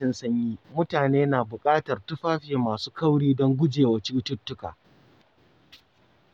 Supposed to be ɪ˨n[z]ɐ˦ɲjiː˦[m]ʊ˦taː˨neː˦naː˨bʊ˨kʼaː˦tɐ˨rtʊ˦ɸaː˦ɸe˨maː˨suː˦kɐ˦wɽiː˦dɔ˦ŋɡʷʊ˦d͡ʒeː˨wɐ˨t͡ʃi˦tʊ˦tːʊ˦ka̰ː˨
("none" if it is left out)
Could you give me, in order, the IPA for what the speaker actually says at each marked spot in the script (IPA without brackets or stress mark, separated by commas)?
s, m